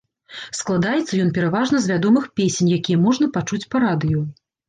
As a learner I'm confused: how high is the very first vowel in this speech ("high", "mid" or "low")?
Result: low